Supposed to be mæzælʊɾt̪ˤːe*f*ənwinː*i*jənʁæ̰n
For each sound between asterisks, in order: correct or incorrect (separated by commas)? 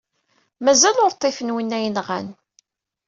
correct, incorrect